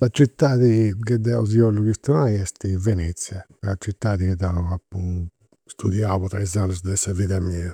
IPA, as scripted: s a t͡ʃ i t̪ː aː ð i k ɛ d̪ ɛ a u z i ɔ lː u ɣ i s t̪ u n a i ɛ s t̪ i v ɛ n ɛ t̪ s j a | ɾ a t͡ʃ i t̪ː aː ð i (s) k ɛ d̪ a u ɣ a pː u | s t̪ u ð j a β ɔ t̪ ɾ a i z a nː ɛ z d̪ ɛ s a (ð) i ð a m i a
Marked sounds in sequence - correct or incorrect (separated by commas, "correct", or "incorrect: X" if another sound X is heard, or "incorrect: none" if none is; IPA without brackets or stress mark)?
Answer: incorrect: none, incorrect: v